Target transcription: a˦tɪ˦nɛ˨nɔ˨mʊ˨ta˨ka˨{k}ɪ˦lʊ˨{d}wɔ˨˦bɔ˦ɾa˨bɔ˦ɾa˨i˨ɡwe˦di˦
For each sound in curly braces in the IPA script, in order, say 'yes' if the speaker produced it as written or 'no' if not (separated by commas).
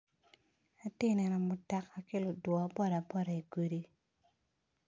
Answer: yes, yes